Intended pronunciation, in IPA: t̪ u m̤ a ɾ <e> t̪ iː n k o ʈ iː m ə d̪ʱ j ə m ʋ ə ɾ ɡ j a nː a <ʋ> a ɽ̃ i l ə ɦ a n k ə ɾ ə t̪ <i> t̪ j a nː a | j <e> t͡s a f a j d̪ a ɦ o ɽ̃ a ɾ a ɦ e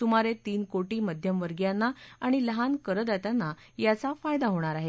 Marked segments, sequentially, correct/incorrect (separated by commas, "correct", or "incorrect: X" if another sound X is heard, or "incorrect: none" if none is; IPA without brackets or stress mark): correct, incorrect: none, incorrect: a, incorrect: a